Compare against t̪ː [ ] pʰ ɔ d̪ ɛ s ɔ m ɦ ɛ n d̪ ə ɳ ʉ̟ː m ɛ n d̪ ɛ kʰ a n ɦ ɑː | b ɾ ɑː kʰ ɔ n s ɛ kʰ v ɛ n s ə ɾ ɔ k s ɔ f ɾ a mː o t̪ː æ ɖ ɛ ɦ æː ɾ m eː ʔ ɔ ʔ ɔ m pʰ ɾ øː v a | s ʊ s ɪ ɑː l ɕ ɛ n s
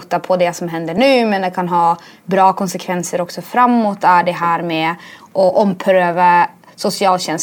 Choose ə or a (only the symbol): a